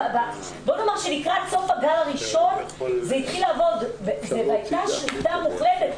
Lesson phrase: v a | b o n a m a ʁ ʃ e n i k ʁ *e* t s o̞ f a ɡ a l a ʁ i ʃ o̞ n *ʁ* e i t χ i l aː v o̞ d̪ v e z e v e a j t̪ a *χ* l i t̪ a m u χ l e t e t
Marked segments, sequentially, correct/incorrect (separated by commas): incorrect, incorrect, incorrect